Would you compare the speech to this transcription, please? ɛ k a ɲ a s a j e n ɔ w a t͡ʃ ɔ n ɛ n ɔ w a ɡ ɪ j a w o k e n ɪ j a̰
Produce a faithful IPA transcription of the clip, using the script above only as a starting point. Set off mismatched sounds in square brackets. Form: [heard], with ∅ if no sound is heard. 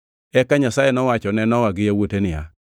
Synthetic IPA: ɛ k a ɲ a s a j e n ɔ w a t͡ʃ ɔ n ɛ n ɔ w a ɡ ɪ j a w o [t] e n ɪ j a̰